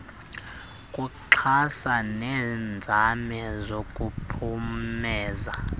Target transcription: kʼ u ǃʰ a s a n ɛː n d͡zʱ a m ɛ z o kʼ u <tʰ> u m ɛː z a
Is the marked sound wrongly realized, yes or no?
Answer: yes